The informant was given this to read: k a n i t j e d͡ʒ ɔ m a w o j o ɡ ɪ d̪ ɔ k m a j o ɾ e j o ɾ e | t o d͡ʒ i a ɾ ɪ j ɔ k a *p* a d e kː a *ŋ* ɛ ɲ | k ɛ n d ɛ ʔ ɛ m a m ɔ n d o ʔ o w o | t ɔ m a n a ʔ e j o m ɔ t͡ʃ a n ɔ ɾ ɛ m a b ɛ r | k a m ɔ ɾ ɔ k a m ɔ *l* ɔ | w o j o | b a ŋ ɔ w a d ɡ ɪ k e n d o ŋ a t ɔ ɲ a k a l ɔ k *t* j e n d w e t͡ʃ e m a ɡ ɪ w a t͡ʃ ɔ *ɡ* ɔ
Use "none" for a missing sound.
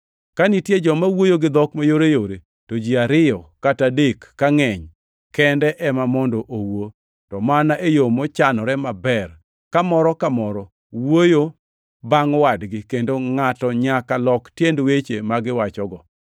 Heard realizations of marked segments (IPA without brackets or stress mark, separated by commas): t, ŋ, ɾ, t, ɡ